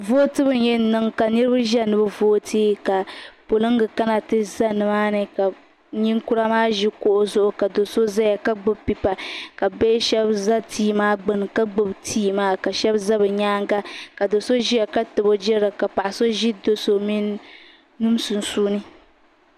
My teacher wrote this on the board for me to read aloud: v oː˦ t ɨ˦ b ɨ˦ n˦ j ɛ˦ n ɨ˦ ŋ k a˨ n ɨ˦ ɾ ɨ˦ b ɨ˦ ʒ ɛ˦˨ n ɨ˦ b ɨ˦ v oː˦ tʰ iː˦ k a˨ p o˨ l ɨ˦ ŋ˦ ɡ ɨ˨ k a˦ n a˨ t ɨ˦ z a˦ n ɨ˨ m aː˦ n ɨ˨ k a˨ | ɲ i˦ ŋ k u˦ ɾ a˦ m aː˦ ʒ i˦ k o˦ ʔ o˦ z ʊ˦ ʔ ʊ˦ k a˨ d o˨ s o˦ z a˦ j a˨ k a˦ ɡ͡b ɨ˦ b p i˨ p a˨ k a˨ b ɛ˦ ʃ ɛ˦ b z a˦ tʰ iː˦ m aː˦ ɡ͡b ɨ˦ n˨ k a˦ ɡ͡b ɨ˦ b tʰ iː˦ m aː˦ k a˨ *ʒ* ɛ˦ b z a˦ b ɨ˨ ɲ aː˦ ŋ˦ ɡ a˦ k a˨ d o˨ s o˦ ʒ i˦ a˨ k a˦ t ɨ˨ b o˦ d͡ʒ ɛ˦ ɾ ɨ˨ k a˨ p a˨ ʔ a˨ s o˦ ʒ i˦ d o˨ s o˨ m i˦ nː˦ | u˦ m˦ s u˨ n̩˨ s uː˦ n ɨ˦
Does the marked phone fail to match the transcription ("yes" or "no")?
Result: yes